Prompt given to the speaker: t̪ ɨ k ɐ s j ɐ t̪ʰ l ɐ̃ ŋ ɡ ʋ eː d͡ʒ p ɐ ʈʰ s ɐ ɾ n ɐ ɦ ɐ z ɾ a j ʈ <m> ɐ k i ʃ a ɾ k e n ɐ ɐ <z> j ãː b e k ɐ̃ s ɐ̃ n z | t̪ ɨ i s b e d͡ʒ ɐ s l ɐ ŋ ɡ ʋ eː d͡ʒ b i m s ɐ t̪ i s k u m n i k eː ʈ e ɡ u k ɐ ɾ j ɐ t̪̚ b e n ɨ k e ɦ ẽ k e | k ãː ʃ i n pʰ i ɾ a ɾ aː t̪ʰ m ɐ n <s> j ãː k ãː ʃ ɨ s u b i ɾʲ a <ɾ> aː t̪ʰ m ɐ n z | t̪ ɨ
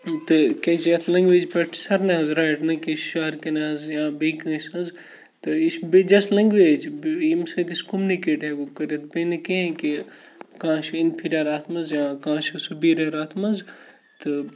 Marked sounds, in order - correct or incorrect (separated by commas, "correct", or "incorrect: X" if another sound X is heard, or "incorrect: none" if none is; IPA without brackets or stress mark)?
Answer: incorrect: n, correct, incorrect: z, correct